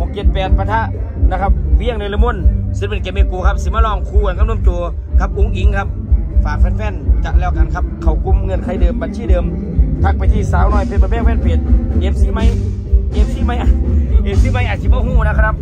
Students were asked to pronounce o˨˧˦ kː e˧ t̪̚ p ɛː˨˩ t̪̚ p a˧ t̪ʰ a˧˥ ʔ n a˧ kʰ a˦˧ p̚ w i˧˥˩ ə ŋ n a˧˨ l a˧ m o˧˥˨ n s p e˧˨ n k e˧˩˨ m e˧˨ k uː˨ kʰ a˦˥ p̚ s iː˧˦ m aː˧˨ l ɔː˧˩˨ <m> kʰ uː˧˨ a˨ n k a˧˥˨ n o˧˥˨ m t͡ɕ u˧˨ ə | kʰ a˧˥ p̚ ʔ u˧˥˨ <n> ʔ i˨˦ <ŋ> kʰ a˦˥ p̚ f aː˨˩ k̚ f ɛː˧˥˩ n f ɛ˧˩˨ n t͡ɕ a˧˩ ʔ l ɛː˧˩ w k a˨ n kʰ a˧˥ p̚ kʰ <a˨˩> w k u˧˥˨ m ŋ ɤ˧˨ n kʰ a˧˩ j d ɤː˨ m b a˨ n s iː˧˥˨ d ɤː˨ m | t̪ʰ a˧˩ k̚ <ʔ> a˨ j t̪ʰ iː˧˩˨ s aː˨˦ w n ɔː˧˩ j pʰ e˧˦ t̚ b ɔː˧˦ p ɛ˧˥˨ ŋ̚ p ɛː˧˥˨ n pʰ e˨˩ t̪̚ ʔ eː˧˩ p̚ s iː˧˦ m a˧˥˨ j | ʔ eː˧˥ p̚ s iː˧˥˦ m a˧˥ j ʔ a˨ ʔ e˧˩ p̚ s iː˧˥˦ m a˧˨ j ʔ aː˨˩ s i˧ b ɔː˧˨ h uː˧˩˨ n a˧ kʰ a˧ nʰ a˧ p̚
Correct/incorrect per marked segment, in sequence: incorrect: ŋ, incorrect: ŋ, correct, correct, incorrect: p

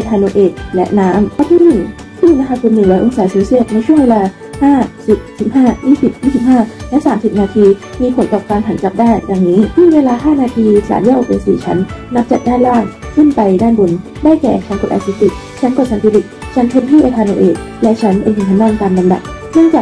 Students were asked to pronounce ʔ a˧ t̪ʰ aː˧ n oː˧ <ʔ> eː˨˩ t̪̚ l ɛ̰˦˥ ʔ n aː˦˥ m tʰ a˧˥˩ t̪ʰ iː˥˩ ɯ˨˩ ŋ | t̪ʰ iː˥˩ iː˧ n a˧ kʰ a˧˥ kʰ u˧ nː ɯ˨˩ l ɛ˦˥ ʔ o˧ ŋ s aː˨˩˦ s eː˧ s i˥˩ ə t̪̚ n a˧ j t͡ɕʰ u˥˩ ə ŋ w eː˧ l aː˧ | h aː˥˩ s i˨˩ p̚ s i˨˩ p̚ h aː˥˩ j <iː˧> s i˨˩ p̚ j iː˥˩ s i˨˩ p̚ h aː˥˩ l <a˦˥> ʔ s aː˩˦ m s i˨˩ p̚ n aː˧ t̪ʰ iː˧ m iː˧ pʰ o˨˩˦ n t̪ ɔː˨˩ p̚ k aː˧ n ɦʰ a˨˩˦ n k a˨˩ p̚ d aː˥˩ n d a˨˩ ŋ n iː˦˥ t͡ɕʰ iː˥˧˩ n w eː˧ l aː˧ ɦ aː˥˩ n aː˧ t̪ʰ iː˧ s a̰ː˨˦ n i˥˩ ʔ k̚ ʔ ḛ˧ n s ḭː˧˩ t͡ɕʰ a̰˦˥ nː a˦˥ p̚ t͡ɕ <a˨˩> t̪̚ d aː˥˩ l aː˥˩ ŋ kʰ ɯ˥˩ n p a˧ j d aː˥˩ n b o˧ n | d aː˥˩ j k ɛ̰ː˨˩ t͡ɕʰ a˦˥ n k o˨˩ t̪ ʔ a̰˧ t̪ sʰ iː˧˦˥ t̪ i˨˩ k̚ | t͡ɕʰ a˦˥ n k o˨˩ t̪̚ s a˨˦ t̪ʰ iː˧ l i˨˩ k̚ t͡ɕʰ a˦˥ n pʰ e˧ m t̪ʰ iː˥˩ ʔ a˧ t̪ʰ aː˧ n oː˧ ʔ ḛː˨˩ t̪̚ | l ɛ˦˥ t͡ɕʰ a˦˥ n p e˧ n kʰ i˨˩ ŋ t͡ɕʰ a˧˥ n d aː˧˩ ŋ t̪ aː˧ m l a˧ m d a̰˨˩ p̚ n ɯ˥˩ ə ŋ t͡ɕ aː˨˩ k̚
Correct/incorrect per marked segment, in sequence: correct, incorrect: iː˥˩, incorrect: ɛ˦˥, correct

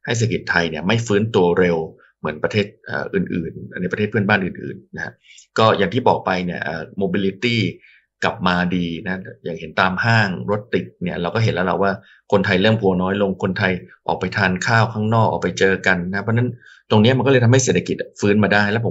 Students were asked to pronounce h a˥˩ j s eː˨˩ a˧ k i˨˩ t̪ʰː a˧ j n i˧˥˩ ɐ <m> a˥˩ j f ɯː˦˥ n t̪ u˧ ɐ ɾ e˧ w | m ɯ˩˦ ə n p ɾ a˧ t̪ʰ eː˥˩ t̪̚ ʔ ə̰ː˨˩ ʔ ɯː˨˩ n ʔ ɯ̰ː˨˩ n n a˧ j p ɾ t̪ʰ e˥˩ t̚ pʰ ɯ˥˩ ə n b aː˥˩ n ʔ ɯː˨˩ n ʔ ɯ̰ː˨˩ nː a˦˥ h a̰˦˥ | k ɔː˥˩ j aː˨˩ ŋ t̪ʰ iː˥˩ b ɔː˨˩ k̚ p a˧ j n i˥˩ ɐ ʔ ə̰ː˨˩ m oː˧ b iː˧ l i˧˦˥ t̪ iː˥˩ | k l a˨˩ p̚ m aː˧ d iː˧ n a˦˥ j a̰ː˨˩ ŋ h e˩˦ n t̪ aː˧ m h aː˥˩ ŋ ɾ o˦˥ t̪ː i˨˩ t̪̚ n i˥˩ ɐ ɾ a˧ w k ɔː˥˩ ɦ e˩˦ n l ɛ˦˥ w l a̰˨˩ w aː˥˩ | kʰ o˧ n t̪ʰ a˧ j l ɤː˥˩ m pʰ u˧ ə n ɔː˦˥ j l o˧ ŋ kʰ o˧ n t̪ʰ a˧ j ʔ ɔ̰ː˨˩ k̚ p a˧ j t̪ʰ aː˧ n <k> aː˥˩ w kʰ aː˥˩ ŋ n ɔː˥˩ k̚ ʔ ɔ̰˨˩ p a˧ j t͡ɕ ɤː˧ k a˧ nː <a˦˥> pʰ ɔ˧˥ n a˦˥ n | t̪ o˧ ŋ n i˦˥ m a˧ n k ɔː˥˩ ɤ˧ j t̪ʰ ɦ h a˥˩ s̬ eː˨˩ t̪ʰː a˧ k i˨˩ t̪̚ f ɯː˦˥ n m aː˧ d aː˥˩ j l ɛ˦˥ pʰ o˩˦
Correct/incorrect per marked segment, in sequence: correct, incorrect: kʰ, correct

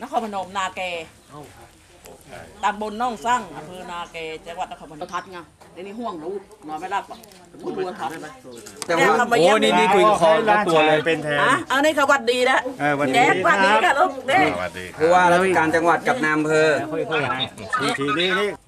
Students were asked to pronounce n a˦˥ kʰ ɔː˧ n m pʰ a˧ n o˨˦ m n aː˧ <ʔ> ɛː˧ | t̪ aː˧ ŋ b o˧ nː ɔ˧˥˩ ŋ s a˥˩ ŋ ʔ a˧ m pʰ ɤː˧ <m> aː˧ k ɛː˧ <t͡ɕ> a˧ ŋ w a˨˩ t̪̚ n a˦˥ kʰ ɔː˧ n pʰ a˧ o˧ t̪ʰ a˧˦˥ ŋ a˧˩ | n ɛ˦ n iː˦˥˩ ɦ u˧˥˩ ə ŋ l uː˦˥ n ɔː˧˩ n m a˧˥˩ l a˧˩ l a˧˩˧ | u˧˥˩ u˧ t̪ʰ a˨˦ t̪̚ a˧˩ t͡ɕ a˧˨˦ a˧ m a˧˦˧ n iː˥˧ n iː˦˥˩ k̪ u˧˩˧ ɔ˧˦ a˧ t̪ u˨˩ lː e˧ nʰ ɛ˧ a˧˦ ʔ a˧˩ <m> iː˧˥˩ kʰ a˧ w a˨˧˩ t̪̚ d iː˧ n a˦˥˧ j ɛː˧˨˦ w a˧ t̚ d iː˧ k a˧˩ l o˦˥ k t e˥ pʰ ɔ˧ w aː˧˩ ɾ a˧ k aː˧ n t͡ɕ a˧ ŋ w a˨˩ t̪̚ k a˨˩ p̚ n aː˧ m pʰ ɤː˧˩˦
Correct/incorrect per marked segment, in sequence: incorrect: k, incorrect: n, correct, incorrect: n

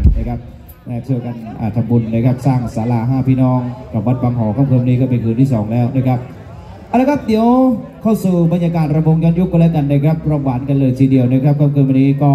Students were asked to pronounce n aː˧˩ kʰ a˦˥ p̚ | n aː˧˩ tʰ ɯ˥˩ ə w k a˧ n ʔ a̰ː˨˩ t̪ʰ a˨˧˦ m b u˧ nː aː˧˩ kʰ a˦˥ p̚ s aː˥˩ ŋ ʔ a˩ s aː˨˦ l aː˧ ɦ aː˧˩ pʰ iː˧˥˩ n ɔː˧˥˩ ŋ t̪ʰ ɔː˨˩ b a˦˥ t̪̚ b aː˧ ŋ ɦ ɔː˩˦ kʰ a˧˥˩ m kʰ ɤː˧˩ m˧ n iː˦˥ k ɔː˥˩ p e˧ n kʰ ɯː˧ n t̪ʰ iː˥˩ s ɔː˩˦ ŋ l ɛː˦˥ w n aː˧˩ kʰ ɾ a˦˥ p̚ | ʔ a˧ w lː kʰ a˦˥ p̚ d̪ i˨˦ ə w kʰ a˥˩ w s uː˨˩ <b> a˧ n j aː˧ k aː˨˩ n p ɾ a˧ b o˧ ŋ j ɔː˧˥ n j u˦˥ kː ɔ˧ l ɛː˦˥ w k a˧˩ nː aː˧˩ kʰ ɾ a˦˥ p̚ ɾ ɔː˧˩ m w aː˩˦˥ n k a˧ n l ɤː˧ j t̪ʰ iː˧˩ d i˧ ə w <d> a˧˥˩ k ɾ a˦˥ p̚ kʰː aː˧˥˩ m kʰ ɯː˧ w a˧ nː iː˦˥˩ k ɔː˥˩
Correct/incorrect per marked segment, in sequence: correct, incorrect: n

